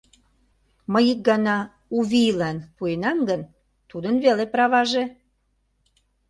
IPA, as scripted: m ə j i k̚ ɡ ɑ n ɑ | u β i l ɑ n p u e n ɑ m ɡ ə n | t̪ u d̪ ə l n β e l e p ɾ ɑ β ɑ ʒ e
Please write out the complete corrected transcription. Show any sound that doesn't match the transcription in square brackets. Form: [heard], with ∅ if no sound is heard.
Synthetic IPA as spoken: m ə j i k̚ ɡ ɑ n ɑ | u β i l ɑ n p u e n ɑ m ɡ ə n | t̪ u d̪ ə [∅] n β e l e p ɾ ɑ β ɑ ʒ e